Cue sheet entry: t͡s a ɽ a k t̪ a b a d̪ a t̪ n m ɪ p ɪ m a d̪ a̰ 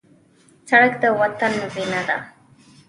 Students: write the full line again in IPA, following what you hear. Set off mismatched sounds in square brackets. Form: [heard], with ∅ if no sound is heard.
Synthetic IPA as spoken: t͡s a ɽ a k t̪ a [w] a [t̪] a [∅] n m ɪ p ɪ [n] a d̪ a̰